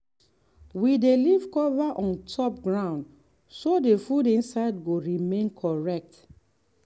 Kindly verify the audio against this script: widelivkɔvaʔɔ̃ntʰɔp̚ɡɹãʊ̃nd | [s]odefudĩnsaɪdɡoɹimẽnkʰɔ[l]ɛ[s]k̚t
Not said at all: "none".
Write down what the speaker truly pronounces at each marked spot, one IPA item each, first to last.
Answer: s, ɹ, none

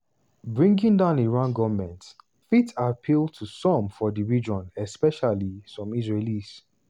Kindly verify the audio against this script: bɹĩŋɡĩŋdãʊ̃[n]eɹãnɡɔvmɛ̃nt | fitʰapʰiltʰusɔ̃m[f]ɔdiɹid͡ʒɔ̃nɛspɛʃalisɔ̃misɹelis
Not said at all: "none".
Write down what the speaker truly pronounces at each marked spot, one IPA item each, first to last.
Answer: n, f

